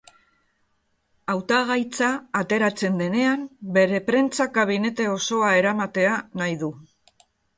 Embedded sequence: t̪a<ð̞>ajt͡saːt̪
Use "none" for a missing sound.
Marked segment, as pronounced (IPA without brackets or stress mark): ɣ̞